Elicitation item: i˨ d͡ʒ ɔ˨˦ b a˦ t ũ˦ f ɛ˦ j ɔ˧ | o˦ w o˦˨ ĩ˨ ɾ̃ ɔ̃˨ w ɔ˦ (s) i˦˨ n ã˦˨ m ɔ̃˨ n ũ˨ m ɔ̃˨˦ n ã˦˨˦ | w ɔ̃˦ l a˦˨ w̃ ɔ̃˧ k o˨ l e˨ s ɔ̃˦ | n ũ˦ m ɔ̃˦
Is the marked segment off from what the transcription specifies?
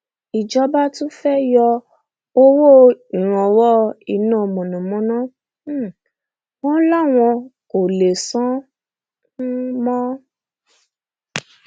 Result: yes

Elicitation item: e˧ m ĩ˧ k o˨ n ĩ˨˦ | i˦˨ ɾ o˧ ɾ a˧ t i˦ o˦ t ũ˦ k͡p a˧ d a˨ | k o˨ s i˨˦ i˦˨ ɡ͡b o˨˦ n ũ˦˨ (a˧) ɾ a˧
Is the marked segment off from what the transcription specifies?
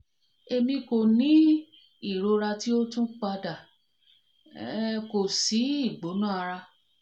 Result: no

